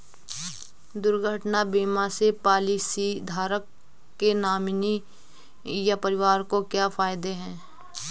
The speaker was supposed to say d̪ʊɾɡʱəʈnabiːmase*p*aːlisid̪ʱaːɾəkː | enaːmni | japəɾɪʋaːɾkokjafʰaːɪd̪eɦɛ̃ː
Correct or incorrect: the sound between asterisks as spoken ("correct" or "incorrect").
correct